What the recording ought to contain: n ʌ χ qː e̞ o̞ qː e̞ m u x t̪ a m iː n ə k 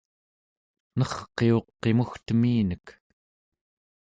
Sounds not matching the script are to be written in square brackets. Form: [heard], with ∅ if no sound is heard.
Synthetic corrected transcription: n ʌ χ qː e̞ o̞ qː e̞ m u x t̪ [ə] m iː n ə k